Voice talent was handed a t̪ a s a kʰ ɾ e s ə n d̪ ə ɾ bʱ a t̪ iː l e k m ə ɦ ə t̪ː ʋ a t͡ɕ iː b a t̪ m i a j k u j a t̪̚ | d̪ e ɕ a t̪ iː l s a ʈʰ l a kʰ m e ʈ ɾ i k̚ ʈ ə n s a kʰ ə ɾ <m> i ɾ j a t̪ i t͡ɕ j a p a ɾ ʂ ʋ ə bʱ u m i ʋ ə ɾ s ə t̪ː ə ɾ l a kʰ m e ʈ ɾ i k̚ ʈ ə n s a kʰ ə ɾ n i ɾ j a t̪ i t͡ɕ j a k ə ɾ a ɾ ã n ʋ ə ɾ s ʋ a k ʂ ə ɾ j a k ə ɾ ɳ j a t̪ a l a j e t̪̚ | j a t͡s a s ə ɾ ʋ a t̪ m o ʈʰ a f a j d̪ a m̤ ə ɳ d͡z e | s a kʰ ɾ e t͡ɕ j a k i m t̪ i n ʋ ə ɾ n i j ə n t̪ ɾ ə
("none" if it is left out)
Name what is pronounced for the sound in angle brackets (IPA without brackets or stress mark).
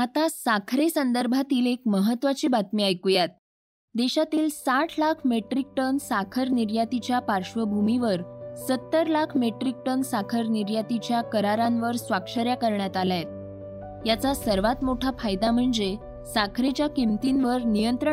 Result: n